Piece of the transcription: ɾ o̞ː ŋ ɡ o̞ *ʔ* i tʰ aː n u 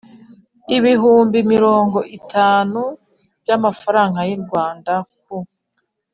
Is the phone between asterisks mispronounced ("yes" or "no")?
no